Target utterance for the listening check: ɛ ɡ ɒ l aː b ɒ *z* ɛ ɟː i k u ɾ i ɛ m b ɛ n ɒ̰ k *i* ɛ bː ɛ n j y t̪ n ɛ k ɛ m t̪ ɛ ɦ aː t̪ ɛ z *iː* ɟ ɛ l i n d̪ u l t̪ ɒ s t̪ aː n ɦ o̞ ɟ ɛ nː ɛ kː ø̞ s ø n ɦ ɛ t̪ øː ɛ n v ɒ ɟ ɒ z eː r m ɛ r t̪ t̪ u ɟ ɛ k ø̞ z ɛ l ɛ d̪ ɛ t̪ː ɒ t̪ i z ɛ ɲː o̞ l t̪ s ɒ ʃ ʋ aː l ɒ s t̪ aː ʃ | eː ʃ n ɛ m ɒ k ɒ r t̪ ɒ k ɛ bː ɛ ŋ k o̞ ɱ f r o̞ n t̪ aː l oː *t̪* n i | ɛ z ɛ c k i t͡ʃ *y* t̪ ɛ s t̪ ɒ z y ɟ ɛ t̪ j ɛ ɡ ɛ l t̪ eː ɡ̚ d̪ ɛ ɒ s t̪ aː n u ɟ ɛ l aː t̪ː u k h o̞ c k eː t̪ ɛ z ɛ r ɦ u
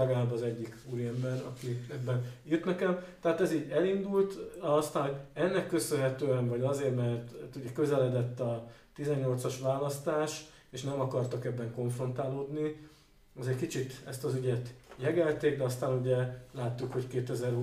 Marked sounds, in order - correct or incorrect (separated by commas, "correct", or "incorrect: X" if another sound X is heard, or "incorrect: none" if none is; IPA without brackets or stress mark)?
correct, correct, correct, incorrect: d̪, incorrect: i